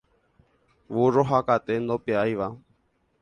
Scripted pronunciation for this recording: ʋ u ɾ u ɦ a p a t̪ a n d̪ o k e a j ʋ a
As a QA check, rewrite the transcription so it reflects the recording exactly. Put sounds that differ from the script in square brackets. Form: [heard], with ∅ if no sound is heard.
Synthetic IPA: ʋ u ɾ [o] ɦ a [k] a t̪ [e] n d̪ o [p] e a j ʋ a